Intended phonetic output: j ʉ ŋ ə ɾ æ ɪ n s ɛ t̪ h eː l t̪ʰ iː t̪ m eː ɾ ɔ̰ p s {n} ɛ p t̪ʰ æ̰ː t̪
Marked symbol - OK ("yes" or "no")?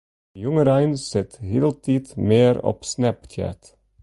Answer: yes